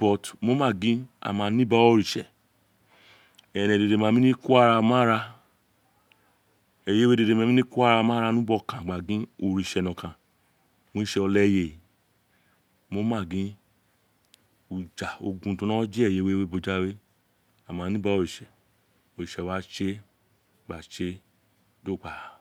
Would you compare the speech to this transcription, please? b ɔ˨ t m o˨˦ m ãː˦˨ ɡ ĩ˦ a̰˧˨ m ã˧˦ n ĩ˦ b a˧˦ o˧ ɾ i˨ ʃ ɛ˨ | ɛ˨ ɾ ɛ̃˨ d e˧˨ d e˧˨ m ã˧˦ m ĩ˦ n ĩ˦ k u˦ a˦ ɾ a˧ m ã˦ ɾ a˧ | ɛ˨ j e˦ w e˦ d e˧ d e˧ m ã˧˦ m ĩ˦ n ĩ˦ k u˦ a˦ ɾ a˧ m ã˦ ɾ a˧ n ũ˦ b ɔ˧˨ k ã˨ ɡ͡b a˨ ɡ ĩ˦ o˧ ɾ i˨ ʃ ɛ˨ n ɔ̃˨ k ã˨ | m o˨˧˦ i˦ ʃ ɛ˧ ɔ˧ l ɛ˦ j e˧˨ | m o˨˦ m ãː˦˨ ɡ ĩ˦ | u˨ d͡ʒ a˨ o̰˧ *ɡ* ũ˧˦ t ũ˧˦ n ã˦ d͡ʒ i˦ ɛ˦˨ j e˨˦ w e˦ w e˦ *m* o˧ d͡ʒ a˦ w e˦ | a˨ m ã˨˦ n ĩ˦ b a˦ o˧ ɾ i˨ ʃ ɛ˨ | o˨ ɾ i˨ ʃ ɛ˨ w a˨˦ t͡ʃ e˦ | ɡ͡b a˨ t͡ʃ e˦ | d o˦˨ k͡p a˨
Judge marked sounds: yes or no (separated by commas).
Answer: yes, no